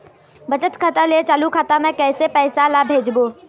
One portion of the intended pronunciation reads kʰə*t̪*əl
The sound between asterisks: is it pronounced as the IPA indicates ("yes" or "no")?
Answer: yes